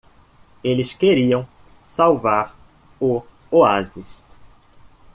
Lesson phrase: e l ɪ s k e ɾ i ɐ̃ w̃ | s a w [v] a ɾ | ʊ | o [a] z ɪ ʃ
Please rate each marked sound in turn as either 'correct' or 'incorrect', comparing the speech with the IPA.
correct, correct

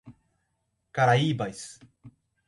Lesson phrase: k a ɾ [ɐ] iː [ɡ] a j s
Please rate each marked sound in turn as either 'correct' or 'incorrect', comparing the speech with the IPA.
incorrect, incorrect

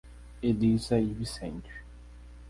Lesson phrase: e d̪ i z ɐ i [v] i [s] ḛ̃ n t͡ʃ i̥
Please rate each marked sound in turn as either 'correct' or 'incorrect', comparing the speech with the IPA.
correct, correct

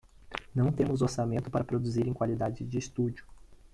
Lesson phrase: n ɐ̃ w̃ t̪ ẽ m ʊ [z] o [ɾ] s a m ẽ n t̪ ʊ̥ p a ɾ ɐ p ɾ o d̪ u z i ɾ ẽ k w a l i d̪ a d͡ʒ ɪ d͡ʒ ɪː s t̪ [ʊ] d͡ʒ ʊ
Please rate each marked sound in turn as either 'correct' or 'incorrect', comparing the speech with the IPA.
correct, correct, incorrect

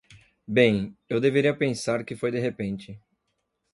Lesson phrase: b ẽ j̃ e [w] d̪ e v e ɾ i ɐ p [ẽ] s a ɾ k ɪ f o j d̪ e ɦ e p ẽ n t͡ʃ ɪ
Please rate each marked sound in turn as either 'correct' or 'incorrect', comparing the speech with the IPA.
correct, correct

